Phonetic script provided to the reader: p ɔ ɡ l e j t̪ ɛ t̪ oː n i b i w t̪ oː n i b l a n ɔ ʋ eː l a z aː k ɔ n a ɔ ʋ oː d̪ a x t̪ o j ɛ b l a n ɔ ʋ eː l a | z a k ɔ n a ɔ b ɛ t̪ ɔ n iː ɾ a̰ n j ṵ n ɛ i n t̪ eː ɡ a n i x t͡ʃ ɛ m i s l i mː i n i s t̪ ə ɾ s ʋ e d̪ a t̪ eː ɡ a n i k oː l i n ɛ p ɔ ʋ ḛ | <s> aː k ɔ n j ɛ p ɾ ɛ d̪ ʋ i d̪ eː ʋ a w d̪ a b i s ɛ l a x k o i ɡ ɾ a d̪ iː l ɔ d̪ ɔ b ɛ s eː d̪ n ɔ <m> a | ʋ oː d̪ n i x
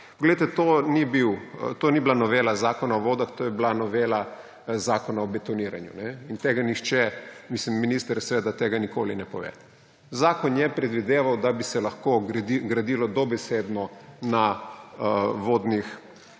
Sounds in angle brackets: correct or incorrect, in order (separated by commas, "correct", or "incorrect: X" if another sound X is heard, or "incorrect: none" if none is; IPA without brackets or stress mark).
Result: incorrect: z, incorrect: n